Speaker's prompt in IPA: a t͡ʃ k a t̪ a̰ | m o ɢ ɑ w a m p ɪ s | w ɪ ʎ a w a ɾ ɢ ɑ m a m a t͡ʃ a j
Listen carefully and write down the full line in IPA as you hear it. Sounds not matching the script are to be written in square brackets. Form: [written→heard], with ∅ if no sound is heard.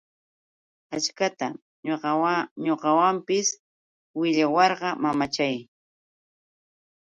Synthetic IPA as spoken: a t͡ʃ k a t̪ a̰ | [m→ɲ] o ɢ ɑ w a m p ɪ s | w ɪ ʎ a w [a→ɑ] ɾ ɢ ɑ m a m a t͡ʃ a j